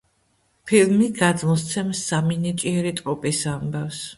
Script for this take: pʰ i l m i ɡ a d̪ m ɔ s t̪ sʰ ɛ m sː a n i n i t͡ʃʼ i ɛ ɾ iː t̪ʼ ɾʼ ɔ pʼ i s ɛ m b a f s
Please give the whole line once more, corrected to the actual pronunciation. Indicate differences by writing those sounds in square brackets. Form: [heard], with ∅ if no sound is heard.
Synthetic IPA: pʰ i l m i ɡ a d̪ m ɔ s t̪ sʰ ɛ m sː a [m] i n i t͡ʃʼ i ɛ ɾ [i] t̪ʼ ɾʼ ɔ pʼ i s [a] m b a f s